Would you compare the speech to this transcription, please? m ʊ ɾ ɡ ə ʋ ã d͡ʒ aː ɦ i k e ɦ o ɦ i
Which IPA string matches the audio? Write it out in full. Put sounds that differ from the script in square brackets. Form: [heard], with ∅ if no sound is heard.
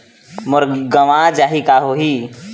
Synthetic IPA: m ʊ ɾ ɡ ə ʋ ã d͡ʒ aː ɦ i k [a] ɦ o ɦ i